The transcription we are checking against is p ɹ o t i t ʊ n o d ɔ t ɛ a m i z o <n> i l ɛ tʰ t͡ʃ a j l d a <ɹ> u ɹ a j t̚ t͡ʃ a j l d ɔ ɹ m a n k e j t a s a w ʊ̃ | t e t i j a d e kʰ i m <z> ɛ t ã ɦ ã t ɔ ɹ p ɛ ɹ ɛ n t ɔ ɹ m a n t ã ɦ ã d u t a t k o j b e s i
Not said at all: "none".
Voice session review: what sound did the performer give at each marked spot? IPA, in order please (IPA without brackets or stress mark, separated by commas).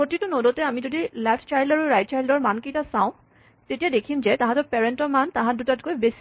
d, ɹ, z